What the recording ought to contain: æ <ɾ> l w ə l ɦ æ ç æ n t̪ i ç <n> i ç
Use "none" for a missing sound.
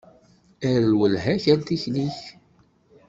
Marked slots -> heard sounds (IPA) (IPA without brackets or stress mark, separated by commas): ɾ, n